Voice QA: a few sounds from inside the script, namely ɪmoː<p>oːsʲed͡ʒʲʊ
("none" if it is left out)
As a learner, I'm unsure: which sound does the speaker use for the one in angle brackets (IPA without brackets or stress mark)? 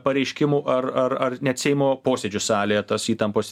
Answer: p